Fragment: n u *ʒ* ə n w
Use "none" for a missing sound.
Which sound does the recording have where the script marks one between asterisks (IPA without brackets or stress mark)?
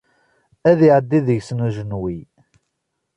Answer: ʒ